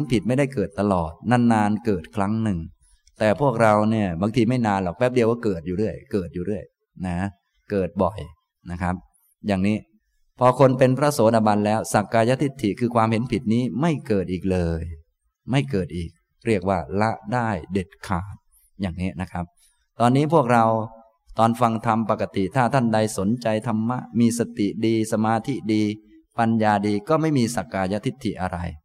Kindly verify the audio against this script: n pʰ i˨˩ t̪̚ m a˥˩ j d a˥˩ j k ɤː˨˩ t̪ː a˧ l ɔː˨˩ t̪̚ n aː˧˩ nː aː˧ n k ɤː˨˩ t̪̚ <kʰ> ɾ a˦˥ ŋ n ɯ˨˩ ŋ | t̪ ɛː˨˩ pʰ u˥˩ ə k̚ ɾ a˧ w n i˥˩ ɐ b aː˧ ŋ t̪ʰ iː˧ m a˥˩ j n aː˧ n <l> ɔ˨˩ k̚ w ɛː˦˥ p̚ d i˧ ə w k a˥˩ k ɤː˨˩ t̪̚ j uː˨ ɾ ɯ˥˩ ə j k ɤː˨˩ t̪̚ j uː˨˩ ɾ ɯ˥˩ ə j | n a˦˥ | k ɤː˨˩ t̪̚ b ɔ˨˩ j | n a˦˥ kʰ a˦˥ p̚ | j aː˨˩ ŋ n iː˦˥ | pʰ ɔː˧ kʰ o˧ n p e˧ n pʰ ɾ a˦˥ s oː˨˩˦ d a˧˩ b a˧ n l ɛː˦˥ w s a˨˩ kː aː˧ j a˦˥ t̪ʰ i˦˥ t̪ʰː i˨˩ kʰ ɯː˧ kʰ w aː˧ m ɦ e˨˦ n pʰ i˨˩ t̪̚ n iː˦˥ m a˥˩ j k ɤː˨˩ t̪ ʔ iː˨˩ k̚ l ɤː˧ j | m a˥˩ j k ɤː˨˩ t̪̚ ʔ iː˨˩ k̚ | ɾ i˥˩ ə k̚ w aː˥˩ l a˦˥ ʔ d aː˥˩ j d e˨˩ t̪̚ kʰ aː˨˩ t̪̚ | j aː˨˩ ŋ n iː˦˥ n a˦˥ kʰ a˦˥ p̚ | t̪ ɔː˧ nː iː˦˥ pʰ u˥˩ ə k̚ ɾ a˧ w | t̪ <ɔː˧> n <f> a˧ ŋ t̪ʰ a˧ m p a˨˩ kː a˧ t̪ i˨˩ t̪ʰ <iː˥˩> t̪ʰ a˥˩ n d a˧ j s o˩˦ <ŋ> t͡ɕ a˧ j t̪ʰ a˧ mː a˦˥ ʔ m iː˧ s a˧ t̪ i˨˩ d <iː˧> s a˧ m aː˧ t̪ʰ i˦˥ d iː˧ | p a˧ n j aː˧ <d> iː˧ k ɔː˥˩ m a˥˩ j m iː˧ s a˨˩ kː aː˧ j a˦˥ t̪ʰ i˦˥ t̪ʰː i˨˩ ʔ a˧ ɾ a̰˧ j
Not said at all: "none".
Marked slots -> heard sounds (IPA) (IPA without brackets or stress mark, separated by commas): kʰ, l, ɔː˧, f, aː˥˩, n, iː˧, d